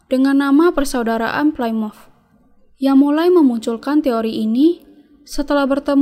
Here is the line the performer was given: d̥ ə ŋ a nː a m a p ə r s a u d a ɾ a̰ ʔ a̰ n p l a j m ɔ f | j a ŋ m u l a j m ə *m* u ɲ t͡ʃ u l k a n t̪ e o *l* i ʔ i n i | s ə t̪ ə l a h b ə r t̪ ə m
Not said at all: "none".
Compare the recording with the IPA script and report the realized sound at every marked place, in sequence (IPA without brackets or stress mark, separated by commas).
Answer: m, ɾ